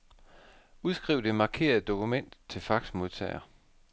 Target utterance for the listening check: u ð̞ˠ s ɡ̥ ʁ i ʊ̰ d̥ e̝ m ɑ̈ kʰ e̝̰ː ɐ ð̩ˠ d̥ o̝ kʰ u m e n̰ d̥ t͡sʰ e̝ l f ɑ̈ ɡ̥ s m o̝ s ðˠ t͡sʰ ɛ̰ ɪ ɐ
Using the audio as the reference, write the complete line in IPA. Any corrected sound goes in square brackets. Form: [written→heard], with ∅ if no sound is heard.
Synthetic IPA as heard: u ð̞ˠ s ɡ̥ ʁ i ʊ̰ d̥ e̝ m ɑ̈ kʰ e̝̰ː ɐ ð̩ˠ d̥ o̝ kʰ u m e n̰ d̥ t͡sʰ e̝ l f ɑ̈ ɡ̥ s m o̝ [s→∅] ðˠ t͡sʰ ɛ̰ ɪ ɐ